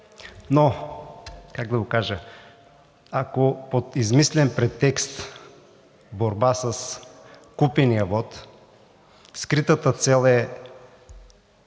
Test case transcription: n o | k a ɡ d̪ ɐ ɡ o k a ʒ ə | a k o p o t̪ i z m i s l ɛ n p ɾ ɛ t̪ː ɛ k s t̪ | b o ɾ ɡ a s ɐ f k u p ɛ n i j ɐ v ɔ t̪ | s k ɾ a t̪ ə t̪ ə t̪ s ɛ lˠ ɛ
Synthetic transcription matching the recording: n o | k a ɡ d̪ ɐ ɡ o k a ʒ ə | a k o p o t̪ i z m i s l ɛ n p ɾ ɛ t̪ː ɛ k s t̪ | b o ɾ b a s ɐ s k u p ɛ n i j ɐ v ɔ t̪ | s k ɾ i t̪ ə t̪ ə t̪ s ɛ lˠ ɛ